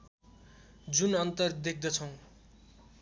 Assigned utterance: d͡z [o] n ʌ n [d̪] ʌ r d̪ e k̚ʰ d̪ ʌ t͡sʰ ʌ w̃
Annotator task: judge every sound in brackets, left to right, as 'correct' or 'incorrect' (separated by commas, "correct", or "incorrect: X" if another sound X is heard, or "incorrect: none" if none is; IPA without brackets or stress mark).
incorrect: u, incorrect: t̪